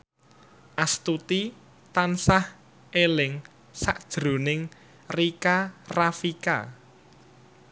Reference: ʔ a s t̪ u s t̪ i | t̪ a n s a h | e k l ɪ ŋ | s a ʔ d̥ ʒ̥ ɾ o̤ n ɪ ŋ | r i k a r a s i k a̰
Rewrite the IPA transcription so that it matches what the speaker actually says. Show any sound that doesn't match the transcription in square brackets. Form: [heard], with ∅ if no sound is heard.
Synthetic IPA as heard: ʔ a s t̪ u [∅] t̪ i | t̪ a n s a h | e [∅] l ɪ ŋ | s a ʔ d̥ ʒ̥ ɾ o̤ n ɪ ŋ | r i k a r a [f] i k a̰